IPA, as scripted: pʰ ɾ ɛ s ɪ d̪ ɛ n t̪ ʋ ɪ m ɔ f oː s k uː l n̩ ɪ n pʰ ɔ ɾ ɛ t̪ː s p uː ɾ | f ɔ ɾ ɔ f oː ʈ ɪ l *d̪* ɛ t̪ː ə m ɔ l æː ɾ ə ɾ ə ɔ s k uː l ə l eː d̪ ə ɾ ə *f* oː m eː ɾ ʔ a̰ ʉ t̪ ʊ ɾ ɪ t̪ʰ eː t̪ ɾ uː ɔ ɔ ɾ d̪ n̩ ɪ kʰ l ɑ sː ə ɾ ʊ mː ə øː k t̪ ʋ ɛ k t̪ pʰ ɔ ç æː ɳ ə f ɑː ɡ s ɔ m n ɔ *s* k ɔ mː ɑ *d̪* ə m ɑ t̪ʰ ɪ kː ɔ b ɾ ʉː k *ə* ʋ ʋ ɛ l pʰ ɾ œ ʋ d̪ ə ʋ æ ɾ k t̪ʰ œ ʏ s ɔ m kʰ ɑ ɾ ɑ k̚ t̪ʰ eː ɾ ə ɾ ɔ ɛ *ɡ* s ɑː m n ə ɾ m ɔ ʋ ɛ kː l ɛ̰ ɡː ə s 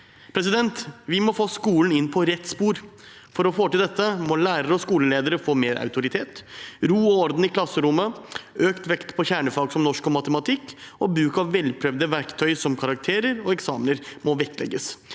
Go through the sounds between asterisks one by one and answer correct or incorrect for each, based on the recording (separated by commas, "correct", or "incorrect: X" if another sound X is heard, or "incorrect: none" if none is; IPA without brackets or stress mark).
correct, correct, incorrect: ʂ, incorrect: t̪, incorrect: ɑ, incorrect: k